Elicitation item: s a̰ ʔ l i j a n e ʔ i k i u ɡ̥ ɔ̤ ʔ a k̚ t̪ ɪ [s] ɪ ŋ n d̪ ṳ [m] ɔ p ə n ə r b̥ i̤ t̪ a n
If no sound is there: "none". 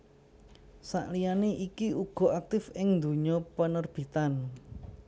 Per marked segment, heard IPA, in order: f, ɲ

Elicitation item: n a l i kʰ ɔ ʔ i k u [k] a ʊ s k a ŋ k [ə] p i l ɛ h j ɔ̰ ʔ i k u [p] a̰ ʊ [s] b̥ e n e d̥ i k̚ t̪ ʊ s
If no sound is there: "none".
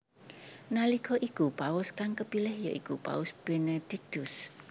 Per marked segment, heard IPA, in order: p, ə, p, s

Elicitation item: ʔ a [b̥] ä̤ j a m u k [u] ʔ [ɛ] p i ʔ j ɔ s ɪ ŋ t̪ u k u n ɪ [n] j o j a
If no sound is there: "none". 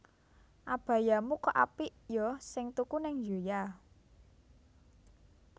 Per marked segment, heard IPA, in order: b̥, ɔ, a, ŋ

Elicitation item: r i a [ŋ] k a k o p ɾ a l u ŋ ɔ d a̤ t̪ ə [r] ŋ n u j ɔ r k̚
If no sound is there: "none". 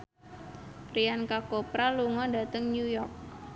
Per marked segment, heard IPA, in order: n, none

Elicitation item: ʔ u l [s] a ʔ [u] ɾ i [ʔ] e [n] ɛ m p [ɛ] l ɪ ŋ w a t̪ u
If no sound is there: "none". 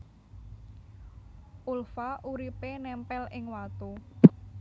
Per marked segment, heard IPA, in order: f, u, p, n, ɛ

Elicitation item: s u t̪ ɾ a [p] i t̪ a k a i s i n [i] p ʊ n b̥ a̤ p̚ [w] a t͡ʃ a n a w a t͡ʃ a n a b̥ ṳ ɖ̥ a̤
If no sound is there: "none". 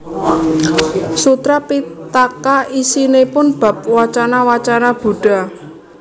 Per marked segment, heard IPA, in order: p, e, w

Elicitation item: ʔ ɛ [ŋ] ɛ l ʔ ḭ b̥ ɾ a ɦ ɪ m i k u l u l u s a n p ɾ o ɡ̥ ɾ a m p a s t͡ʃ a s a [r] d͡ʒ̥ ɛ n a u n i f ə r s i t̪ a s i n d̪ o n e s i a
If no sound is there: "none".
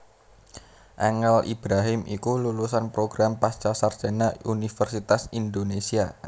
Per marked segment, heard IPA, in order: ŋ, r

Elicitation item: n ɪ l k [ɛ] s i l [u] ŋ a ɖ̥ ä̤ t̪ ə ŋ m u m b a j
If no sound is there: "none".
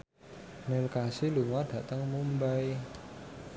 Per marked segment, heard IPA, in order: a, u

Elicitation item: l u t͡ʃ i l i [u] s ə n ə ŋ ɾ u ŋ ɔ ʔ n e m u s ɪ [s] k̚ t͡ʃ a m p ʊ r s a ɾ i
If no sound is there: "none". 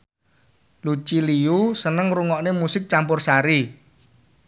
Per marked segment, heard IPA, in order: u, none

